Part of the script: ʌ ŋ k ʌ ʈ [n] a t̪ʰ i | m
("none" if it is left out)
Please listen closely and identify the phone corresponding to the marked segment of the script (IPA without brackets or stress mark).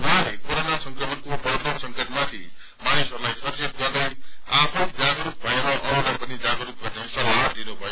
m